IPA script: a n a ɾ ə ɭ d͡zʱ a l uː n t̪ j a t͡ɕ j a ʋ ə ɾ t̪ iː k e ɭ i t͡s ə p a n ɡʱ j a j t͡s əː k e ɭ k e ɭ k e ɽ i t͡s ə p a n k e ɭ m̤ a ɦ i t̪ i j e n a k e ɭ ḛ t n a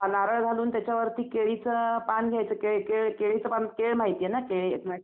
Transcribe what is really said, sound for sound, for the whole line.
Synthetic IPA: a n a ɾ ə ɭ d͡zʱ a l uː n t̪ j a t͡ɕ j a ʋ ə ɾ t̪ iː k e ɭ i t͡s ə p a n ɡʱ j a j t͡s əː k e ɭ k e ɭ k e ɭ i t͡s ə p a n k e ɭ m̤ a ɦ i t̪ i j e n a k e ɭ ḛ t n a